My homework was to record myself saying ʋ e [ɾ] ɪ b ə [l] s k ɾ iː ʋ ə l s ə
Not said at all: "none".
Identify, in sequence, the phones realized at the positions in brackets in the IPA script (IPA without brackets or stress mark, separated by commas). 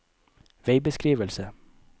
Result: none, none